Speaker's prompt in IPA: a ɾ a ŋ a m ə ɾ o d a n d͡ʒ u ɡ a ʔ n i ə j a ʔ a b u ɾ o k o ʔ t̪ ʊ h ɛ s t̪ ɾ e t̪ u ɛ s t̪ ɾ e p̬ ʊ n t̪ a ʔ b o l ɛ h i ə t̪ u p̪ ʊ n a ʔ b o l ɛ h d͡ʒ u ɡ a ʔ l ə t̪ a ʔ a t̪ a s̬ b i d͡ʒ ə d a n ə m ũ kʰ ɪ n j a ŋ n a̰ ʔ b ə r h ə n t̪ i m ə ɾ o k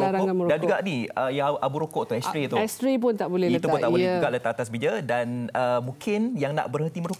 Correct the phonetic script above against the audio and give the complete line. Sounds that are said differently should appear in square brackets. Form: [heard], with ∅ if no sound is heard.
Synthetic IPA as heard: a ɾ a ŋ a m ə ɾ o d a n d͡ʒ u ɡ a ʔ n i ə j a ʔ a b u ɾ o k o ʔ t̪ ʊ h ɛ s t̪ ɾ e t̪ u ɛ s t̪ ɾ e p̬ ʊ n t̪ a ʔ b o l ɛ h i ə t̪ u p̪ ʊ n a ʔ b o l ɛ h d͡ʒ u ɡ a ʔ l ə t̪ a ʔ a t̪ a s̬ b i d͡ʒ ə d a n ə m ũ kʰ ɪ n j a ŋ n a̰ ʔ b ə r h ə n t̪ i m ə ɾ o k